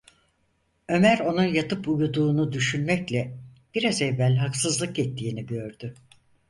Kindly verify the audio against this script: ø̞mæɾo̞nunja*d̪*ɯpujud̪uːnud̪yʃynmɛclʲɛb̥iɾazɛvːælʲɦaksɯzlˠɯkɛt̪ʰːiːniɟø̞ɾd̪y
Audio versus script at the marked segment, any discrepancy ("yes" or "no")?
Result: yes